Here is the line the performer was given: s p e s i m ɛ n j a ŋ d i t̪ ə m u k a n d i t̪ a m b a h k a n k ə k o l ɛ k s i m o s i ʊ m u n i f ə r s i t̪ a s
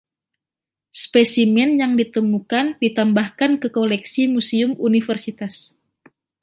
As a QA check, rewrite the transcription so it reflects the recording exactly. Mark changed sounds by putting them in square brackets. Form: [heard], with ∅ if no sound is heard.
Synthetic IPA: s p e s i m ɛ n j a ŋ d i t̪ ə m u k a n d i t̪ a m b a h k a n k ə k o l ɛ k s i m [u] s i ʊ m u n i f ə r s i t̪ a s